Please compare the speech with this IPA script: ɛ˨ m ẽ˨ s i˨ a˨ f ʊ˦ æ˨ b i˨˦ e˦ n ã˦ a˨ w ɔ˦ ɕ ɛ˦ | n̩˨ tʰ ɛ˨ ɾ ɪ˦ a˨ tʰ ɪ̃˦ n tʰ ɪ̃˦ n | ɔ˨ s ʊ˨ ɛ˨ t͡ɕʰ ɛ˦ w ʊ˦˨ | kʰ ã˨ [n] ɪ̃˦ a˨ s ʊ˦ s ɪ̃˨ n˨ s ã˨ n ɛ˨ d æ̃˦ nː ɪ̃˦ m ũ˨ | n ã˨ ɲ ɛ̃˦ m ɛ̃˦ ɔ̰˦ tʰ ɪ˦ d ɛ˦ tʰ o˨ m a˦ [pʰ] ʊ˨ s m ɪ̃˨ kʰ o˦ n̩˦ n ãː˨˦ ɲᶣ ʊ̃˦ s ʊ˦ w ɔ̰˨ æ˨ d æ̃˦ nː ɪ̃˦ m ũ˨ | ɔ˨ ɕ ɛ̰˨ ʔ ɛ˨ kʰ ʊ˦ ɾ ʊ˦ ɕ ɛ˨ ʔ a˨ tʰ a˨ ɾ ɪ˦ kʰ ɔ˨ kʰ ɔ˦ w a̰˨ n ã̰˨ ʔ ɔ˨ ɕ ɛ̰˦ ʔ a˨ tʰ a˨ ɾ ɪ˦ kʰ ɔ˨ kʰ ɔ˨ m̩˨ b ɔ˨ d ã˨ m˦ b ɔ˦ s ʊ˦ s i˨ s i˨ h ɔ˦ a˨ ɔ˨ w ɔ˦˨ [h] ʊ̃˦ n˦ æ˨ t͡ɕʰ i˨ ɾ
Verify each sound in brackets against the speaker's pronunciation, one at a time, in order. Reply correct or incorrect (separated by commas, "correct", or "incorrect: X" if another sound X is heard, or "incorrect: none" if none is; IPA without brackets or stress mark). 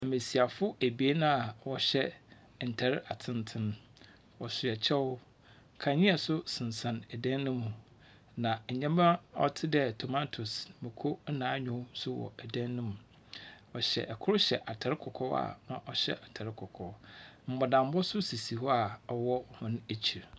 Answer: incorrect: ɲ, incorrect: tʰ, correct